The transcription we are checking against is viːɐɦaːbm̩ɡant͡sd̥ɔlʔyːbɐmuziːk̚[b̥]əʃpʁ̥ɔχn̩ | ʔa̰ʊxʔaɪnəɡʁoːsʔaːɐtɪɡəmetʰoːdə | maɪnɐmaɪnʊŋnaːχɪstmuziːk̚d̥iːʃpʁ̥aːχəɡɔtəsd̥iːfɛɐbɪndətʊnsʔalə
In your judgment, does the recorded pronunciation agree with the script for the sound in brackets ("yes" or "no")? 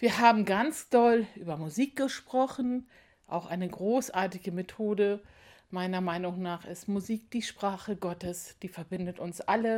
no